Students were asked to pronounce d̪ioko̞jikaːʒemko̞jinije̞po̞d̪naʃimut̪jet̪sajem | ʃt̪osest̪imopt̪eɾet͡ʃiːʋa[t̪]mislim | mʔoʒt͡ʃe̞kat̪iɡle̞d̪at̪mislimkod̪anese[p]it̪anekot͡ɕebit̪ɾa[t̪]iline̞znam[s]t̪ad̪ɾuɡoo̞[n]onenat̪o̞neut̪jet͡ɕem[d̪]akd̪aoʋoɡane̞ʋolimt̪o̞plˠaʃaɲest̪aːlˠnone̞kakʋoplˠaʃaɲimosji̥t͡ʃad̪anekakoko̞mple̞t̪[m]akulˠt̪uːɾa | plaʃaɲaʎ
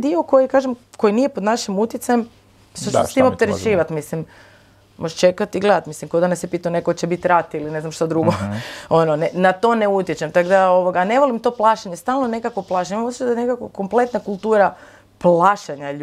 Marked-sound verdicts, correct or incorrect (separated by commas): correct, correct, correct, incorrect, correct, incorrect, incorrect